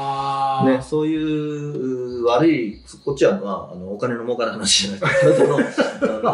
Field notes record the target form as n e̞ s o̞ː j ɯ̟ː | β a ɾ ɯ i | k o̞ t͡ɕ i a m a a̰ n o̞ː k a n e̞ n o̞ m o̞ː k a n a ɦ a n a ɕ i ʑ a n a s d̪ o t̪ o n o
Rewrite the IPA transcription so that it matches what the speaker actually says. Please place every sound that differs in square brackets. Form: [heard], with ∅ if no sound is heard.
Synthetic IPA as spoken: n e̞ s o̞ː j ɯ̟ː | β a ɾ ɯ i | k o̞ t͡ɕ i a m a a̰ n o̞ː k a n e̞ n o̞ m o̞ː k a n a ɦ a n a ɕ i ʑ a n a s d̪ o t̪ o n o